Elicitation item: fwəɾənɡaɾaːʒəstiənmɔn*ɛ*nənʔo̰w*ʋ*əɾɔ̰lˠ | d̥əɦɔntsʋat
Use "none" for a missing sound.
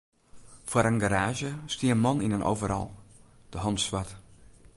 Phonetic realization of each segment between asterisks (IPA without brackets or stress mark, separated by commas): i, v